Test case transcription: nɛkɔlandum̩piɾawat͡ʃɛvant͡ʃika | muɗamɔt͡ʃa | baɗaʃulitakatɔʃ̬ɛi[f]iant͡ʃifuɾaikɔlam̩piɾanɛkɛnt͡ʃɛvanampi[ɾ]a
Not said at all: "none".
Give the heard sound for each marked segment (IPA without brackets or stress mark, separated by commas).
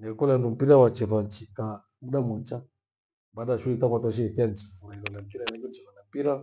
θ, ɾ